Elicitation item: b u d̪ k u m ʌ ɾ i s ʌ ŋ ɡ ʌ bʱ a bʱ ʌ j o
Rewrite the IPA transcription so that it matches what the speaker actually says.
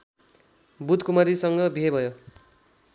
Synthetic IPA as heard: b u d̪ k u m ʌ ɾ i s ʌ ŋ ɡ ʌ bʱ e bʱ ʌ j o